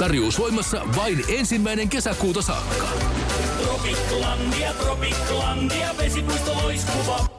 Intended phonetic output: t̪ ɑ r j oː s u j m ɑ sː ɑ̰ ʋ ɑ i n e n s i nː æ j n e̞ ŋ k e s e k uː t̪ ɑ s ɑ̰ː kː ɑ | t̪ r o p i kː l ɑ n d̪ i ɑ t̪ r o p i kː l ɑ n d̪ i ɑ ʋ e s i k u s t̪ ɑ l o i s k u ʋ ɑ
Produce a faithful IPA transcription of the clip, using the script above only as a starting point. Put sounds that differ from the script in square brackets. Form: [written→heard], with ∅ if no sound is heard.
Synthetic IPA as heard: t̪ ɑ r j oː s [u→o] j m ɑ sː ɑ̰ ʋ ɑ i n e n s i [nː→mː] æ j n e̞ ŋ k e s [e→æ] k uː t̪ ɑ s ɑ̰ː kː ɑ | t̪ r o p i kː l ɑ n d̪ i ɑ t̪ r o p i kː l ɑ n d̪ i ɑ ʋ e s i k u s t̪ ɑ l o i s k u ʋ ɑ